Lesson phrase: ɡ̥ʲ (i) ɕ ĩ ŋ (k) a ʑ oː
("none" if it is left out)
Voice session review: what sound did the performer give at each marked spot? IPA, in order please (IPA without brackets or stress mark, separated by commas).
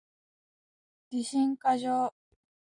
i, k